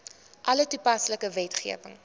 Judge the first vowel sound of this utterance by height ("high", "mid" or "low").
low